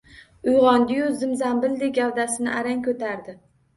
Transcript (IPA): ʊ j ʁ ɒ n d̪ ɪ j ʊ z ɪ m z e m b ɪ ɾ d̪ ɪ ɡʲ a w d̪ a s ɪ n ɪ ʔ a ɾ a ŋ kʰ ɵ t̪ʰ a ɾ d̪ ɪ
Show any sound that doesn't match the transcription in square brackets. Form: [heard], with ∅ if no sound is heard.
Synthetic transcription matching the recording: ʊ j ʁ ɒ n d̪ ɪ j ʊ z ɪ m z [a] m b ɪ [l] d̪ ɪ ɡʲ a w d̪ a s ɪ n ɪ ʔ a ɾ a ŋ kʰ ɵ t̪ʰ a ɾ d̪ ɪ